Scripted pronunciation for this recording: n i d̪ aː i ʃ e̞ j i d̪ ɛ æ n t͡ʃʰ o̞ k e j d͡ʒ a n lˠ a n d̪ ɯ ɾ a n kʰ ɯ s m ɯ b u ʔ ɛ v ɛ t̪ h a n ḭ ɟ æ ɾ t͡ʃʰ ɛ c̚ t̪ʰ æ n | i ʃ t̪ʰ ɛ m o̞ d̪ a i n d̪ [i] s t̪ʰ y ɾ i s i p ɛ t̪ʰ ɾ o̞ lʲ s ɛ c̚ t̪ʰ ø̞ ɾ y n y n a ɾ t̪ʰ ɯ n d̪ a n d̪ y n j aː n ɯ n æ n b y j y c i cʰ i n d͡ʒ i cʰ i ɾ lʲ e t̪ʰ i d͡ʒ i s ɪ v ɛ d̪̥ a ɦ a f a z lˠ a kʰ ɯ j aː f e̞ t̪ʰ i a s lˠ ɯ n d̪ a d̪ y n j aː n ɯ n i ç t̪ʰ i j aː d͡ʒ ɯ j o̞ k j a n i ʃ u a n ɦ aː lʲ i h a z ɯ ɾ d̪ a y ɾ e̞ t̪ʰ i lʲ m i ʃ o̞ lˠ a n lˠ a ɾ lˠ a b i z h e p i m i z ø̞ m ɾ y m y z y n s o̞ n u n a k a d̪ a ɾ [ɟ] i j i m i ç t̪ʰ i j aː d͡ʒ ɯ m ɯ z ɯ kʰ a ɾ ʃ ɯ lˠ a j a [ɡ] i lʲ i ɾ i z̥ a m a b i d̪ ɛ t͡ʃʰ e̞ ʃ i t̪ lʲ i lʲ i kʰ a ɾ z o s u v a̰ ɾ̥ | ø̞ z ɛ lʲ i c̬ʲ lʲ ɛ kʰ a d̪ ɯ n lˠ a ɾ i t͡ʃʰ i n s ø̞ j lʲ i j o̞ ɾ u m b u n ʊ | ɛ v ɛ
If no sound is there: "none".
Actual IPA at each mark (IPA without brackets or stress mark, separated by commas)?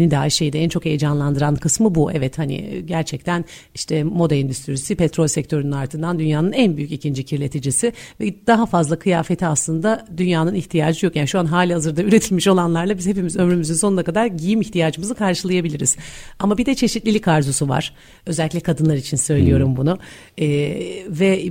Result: y, ɟ, b